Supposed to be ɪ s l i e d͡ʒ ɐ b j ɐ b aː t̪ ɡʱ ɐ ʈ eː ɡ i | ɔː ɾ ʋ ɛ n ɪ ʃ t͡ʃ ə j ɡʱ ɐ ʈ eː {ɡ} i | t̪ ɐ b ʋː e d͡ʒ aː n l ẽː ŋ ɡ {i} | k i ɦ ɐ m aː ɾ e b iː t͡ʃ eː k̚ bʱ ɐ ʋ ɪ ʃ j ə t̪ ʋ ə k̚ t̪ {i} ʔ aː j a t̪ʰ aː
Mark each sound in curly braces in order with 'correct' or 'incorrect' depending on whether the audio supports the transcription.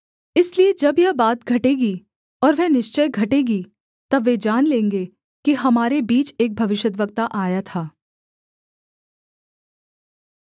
correct, incorrect: e, incorrect: a

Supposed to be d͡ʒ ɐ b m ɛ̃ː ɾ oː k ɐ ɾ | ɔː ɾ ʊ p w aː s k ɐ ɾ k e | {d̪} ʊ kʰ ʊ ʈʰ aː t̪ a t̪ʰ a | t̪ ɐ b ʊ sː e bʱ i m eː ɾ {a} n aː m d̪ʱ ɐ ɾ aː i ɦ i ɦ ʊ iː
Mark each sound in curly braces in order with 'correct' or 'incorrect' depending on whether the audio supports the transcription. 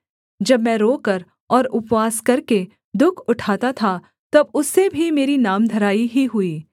correct, incorrect: i

